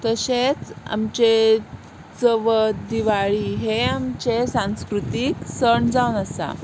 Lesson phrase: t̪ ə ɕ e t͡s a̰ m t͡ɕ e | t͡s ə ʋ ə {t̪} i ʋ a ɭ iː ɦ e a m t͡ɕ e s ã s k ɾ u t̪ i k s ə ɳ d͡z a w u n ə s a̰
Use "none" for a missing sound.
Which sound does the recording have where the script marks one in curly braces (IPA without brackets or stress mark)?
d̪